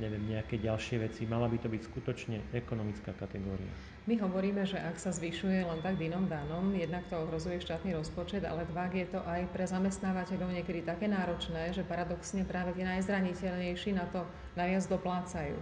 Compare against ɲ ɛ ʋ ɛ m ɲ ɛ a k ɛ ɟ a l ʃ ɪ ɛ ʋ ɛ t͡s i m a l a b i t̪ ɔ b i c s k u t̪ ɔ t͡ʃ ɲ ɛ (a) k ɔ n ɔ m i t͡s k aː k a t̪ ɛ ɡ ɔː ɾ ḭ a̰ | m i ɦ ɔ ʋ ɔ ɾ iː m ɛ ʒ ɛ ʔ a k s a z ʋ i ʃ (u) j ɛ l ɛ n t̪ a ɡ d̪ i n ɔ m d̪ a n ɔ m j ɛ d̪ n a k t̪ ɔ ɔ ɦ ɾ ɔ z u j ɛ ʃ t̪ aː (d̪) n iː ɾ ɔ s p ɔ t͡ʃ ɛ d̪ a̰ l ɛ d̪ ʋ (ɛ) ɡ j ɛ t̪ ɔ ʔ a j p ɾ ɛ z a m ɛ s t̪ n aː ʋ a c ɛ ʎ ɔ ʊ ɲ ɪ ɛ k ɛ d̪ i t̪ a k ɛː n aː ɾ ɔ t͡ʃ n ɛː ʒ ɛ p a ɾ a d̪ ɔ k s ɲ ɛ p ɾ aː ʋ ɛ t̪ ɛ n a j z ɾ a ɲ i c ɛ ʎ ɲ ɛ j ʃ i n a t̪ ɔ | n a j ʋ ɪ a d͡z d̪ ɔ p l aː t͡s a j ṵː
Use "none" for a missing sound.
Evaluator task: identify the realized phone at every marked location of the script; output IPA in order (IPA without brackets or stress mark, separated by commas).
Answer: ɛ, u, t̪, a